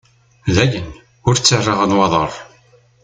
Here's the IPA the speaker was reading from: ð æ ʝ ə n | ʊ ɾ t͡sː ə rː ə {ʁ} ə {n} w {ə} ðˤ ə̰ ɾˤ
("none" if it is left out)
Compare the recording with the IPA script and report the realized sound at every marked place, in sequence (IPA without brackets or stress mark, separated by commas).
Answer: ʁ, n, ɑ